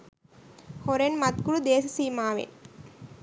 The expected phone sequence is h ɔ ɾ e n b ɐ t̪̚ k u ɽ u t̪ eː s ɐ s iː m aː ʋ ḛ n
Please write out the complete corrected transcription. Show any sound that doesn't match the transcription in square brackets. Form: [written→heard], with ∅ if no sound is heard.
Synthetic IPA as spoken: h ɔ ɾ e n [b→m] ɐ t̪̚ k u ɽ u [t̪→d̪] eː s ɐ s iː m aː ʋ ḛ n